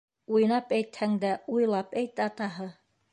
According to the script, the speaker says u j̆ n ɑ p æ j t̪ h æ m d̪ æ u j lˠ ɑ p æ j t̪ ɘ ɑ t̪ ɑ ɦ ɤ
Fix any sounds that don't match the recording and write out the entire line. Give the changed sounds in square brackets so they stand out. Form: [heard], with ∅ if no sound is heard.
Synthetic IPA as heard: u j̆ n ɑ p æ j t̪ h æ [ŋ] d̪ æ u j lˠ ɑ p æ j t̪ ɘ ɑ t̪ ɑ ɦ ɤ